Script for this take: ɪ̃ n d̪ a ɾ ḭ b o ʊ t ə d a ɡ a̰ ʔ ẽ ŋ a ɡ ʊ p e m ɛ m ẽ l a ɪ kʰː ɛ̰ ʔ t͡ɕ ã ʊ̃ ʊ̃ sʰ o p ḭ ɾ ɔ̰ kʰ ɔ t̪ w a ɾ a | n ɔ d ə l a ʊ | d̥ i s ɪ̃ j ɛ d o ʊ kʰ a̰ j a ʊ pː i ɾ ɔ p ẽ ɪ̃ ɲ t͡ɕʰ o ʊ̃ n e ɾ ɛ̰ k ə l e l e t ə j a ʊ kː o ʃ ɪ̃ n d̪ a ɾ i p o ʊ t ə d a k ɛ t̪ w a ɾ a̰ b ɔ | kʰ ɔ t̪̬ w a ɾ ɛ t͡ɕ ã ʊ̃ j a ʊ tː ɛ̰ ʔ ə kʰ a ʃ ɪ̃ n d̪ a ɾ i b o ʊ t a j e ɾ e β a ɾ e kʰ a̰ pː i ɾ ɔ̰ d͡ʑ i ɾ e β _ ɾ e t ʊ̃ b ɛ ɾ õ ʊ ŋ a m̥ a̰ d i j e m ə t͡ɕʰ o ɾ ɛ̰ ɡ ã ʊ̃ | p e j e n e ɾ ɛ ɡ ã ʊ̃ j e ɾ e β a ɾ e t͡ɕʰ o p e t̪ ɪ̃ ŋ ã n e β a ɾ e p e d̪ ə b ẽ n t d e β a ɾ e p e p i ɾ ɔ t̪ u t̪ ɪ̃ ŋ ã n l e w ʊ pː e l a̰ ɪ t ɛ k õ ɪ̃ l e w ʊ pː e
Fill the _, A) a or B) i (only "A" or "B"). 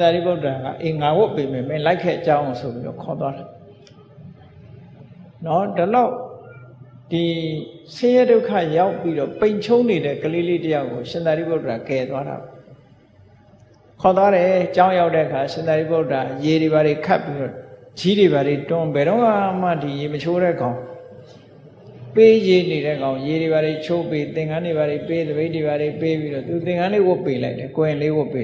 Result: A